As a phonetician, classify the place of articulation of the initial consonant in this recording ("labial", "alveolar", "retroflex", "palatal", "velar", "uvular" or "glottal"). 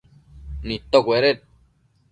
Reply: alveolar